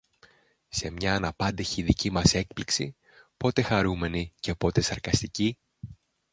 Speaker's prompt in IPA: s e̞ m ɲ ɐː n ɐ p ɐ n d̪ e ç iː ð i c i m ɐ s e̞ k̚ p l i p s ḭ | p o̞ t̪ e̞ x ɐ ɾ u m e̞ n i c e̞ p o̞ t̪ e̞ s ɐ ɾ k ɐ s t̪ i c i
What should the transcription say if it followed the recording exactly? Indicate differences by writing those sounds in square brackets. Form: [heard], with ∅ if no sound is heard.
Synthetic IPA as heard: s e̞ m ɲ ɐː n ɐ p ɐ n d̪ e ç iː ð i c i m ɐ s e̞ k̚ p l i [k] s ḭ | p o̞ t̪ e̞ x ɐ ɾ u m e̞ n i c e̞ p o̞ t̪ e̞ s ɐ ɾ k ɐ s t̪ i c i